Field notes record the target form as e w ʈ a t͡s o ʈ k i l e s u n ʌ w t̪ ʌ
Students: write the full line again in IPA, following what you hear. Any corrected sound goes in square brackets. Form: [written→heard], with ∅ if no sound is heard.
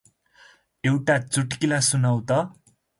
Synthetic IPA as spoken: e w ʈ a t͡s [o→u] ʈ k i l [e→a] s u n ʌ w t̪ ʌ